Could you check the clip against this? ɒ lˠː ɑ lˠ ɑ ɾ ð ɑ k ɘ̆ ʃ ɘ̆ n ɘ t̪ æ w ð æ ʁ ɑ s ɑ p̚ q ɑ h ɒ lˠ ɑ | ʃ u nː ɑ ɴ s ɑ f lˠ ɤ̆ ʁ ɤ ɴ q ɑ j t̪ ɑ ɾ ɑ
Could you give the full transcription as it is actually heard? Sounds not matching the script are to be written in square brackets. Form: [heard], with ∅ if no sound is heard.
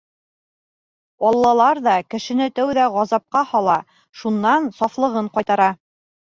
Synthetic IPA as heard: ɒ lˠː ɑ lˠ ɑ ɾ ð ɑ k ɘ̆ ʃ ɘ̆ n ɘ t̪ æ w ð æ ʁ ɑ [z] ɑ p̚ q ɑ h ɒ lˠ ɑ | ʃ u nː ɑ [n] s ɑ f lˠ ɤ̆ ʁ ɤ ɴ q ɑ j t̪ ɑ ɾ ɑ